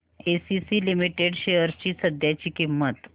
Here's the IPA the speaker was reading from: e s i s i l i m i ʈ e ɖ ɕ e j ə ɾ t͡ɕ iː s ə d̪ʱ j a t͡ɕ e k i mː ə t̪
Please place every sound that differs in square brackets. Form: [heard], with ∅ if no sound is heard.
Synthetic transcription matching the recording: e s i s i l i m i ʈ e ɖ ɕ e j ə ɾ t͡ɕ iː s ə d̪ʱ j a t͡ɕ [i] k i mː ə t̪